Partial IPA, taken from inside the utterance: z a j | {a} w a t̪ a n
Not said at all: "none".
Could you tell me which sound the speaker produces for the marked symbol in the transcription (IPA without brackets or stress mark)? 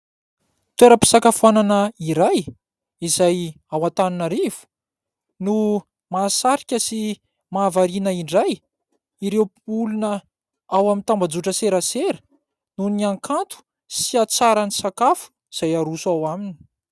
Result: a